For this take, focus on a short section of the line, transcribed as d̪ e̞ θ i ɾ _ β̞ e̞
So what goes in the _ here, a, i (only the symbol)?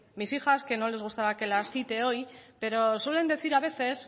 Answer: a